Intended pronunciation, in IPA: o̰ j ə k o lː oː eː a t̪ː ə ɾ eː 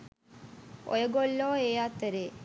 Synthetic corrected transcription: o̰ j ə ɡ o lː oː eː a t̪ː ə ɾ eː